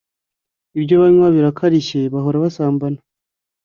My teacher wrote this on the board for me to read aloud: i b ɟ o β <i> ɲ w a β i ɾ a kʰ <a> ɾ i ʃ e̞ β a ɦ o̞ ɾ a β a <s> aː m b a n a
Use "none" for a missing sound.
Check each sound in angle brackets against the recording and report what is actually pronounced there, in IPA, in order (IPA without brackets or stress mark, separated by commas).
a, a, s